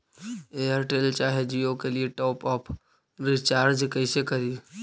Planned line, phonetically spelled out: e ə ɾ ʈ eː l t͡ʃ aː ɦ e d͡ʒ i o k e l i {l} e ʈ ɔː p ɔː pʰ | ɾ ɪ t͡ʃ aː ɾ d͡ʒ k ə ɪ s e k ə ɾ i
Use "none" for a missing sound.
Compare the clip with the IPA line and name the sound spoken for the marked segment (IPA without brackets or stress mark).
none